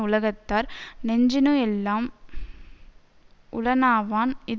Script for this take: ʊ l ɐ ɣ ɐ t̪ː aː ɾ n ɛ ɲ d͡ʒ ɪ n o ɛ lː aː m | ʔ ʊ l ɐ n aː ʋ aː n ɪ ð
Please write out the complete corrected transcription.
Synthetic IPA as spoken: ʊ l ɐ ɣ ɐ t̪ː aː ɾ n ɛ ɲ d͡ʒ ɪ n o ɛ lː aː m | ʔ ʊ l ɐ n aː ʋ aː n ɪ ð